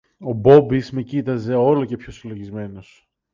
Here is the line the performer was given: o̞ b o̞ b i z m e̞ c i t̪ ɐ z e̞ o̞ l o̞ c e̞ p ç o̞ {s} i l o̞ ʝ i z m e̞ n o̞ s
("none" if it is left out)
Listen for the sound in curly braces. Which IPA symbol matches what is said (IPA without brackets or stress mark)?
s